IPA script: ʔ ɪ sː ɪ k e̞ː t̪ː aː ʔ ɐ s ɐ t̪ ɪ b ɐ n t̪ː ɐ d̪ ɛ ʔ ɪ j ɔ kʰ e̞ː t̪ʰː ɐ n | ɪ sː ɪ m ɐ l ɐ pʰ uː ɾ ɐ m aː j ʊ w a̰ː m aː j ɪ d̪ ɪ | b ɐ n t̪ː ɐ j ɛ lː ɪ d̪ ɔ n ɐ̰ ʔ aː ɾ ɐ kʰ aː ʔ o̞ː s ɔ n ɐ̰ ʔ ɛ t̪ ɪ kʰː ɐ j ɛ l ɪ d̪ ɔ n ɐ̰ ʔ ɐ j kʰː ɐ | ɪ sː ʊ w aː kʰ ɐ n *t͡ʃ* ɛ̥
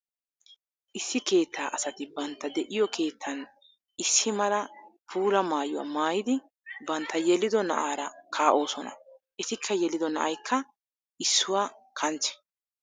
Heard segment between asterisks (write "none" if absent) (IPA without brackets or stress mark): t͡ʃ